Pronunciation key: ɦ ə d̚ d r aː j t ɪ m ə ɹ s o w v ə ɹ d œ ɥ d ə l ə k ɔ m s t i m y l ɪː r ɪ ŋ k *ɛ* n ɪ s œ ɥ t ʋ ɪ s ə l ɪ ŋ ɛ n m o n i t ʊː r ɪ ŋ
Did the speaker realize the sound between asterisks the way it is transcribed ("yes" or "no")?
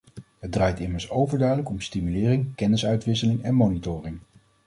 yes